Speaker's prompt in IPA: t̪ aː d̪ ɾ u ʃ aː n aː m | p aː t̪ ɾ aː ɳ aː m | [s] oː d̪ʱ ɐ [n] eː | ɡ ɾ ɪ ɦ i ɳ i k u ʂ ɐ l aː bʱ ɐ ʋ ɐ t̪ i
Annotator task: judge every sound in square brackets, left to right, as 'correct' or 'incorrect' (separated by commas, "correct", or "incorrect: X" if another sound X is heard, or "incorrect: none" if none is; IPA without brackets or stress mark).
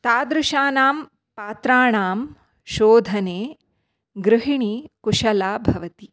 incorrect: ʃ, correct